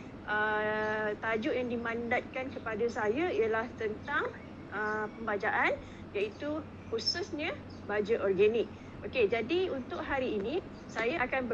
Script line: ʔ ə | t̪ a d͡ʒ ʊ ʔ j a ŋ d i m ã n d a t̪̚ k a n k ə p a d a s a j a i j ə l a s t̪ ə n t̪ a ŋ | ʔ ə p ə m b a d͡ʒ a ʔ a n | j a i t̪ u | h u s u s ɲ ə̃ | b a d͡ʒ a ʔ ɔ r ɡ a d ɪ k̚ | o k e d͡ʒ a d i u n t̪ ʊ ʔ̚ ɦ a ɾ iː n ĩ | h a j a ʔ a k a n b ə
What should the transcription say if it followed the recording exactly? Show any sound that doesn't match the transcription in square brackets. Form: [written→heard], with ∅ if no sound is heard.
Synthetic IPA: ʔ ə | t̪ a d͡ʒ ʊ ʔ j a ŋ d i m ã n d a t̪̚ k a n k ə p a d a s a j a i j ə l a [s→h] t̪ ə n t̪ a ŋ | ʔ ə p ə m b a d͡ʒ a ʔ a n | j a i t̪ u | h u s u s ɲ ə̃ | b a d͡ʒ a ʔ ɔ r ɡ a [d→n] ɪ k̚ | o k e d͡ʒ a d i u n t̪ ʊ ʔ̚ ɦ a ɾ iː n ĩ | [h→s] a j a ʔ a k a n b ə